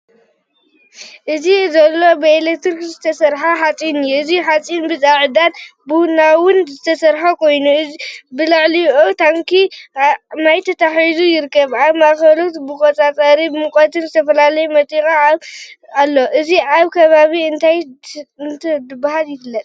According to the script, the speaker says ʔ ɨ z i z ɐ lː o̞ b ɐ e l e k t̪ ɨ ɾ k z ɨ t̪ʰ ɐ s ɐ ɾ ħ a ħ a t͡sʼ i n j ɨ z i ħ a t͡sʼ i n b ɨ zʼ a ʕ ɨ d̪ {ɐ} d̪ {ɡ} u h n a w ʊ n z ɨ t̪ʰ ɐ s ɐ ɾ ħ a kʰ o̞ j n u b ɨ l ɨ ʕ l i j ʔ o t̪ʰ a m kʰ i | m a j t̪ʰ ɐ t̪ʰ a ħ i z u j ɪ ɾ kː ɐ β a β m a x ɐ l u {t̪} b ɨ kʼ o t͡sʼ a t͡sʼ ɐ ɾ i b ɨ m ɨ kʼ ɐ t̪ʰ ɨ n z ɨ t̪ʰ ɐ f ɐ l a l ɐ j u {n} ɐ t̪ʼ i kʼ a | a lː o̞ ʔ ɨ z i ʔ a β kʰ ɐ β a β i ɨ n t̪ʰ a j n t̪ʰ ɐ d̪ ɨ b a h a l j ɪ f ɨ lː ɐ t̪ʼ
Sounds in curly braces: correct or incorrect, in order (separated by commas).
incorrect, incorrect, correct, incorrect